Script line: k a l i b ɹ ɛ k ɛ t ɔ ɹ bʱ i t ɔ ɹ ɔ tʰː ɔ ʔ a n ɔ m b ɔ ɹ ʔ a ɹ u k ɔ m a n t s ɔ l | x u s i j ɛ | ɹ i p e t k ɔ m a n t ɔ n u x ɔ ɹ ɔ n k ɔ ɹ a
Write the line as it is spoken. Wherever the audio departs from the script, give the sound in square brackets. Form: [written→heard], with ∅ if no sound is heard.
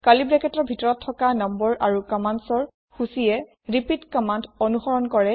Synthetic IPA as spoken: k a l i b ɹ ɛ k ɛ t ɔ ɹ bʱ i t ɔ ɹ ɔ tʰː ɔ [ʔ→k] a n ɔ m b ɔ ɹ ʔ a ɹ u k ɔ m a n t s ɔ [l→ɹ] | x u s i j ɛ | ɹ i p [e→i] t k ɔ m a n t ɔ n u x ɔ ɹ ɔ n k ɔ ɹ [a→ɛ]

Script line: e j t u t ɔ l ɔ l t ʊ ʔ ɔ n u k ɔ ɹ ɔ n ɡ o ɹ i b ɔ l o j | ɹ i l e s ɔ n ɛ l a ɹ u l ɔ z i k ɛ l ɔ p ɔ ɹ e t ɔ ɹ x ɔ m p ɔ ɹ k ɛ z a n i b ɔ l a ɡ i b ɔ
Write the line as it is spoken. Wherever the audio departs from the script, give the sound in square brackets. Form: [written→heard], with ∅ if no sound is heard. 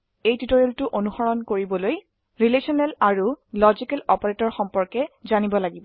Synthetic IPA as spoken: e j t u t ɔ [l→ɹ] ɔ l t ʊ ʔ [ɔ→o] n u [k→x] ɔ ɹ ɔ n [ɡ→k] o ɹ i b ɔ l o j | ɹ i l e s ɔ n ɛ l a ɹ u l ɔ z i k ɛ l ɔ p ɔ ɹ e t ɔ ɹ x ɔ m p ɔ ɹ k ɛ z a n i b ɔ l a ɡ i b ɔ

